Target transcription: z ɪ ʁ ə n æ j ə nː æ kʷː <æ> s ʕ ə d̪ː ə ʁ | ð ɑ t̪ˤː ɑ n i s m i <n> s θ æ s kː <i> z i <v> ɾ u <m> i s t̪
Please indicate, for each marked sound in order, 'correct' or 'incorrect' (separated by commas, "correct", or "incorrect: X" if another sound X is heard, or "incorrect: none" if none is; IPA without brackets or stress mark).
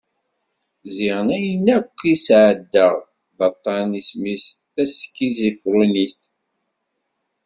incorrect: i, incorrect: none, correct, incorrect: f, incorrect: n